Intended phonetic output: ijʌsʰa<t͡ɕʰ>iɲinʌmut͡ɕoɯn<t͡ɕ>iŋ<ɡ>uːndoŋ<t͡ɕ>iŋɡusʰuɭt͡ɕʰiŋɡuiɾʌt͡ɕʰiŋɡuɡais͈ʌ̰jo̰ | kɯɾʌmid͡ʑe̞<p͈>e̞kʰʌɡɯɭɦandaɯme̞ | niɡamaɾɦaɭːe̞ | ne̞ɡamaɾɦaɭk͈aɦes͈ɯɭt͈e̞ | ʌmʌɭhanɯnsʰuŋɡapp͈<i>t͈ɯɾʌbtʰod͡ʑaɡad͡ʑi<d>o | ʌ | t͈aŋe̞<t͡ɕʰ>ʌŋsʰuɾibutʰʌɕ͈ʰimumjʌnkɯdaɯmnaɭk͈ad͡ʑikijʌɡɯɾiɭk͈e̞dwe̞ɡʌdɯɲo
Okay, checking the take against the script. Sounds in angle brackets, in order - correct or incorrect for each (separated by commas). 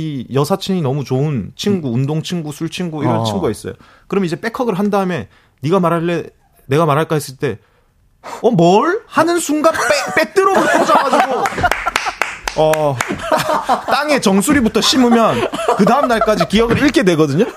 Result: correct, incorrect, correct, incorrect, correct, incorrect, incorrect, incorrect